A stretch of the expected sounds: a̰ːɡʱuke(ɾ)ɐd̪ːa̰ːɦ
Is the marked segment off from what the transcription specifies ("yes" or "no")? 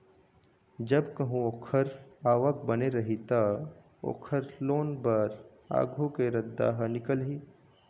no